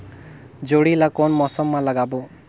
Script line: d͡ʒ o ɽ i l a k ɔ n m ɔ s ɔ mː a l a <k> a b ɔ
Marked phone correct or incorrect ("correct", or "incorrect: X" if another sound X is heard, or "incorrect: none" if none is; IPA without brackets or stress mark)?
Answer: incorrect: ɡ